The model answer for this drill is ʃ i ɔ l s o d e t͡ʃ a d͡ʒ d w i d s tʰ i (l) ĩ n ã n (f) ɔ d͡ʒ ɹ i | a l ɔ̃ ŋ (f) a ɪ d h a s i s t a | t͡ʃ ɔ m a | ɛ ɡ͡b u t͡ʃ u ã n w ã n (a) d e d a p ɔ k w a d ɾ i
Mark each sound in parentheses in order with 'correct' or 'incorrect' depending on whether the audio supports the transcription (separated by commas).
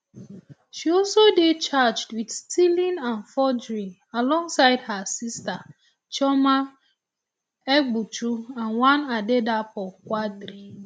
correct, correct, incorrect, correct